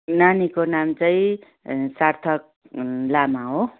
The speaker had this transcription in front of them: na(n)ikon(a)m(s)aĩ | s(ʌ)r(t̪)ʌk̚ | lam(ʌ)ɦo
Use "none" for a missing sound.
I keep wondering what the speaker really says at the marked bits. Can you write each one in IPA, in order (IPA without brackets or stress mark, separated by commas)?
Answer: n, a, t͡s, a, t̪ʰ, a